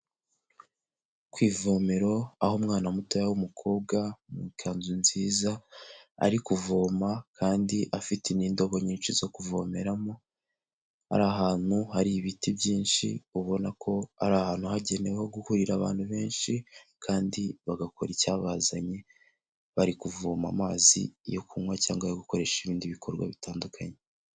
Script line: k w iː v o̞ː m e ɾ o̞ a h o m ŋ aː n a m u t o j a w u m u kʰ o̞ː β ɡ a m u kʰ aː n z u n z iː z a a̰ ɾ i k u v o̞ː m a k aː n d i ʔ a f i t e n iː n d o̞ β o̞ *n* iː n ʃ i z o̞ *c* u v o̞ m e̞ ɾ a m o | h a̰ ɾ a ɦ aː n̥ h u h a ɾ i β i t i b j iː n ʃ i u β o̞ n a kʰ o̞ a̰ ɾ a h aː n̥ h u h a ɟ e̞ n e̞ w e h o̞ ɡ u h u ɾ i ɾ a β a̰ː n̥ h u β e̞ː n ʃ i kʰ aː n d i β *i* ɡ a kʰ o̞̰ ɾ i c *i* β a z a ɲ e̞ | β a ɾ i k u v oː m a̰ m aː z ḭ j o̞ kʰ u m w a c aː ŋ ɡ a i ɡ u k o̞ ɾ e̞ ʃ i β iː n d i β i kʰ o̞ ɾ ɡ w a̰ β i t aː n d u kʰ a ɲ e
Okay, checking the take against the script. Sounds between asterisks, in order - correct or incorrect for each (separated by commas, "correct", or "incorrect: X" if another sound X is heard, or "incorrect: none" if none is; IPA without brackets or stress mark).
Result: incorrect: ɲ, incorrect: k, incorrect: a, incorrect: a